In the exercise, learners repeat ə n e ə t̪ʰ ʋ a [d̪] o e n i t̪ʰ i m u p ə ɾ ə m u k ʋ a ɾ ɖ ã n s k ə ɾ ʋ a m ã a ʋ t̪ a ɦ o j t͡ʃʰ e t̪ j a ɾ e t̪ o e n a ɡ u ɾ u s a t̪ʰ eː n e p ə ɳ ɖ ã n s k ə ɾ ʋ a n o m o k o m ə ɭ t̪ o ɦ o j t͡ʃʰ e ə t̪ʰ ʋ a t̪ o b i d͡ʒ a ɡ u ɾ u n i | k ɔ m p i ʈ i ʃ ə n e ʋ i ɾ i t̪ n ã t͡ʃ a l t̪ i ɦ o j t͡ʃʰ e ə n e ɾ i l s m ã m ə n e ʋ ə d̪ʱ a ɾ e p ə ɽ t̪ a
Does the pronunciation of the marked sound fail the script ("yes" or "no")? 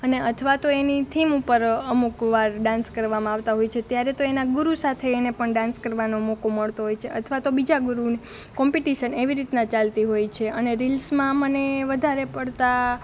yes